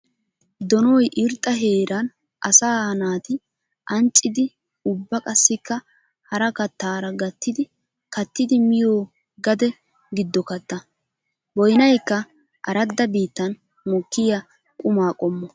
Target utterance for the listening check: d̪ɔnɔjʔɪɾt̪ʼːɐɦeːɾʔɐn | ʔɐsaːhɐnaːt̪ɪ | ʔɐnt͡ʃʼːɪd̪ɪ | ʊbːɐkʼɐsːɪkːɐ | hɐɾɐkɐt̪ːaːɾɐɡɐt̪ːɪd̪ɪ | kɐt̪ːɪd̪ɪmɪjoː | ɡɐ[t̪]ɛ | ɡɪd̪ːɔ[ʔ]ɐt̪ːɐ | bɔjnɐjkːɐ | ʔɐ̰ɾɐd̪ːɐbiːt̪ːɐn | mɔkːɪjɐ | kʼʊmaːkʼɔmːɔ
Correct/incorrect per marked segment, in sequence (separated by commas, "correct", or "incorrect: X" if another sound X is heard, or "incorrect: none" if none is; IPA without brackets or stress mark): incorrect: d̪, incorrect: k